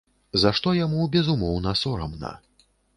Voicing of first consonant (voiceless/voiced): voiced